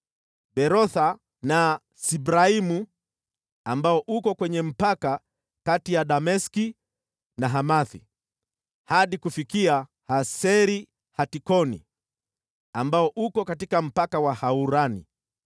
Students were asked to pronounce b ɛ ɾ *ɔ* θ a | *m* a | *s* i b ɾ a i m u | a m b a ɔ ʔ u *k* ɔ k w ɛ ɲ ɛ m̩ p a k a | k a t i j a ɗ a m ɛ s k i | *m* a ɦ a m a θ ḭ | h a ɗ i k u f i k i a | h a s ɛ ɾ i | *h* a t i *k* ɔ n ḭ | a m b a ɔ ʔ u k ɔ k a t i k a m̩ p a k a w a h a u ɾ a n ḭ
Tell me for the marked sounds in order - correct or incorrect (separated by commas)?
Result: correct, incorrect, correct, correct, incorrect, correct, correct